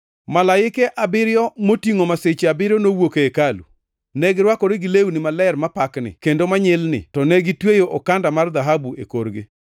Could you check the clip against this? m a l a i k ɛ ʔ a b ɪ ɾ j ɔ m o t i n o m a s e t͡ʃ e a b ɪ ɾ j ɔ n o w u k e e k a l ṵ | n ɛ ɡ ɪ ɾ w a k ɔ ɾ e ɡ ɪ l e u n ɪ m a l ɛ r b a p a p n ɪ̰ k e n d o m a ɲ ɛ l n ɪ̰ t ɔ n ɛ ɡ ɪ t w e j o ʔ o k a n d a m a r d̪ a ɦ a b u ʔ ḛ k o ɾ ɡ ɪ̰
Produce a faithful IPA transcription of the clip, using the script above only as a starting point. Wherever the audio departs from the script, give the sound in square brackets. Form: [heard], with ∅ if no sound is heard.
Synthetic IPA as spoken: m a l a [ɪ] k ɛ ʔ a b ɪ ɾ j ɔ m o t i [ŋ] o m a s e t͡ʃ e a b ɪ ɾ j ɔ n o w [o] k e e k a l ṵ | n ɛ ɡ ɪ ɾ w a k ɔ ɾ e ɡ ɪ l e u n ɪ m a l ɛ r [m] a p a [k] n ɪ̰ k e n d o m a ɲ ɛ l n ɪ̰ t ɔ n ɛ ɡ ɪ t w e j o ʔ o k a n d a m a r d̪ a ɦ a b u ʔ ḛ k o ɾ ɡ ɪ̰